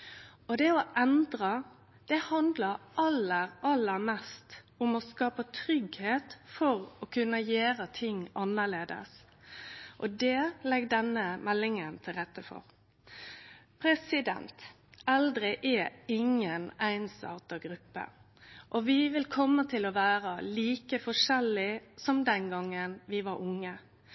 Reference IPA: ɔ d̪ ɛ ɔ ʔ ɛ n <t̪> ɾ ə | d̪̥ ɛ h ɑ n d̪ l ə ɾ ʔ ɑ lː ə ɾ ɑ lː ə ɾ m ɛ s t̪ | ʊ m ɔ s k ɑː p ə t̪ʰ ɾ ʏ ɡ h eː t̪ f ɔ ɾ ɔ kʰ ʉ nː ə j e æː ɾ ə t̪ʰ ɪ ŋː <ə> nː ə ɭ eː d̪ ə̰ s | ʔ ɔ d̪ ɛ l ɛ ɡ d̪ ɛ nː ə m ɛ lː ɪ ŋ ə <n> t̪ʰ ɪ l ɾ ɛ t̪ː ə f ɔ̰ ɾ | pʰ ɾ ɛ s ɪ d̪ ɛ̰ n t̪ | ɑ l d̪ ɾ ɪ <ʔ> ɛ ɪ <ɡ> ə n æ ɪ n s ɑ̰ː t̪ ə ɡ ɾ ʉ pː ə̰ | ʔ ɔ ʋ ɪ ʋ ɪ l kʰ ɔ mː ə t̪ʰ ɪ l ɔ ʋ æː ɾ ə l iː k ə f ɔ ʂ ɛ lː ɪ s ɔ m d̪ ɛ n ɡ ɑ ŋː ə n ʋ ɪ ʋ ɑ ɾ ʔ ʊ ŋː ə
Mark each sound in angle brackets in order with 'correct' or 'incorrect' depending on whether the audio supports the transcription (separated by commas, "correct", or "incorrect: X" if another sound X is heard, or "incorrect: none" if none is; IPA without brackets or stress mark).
incorrect: d̪, incorrect: ɑ, correct, correct, incorrect: ŋ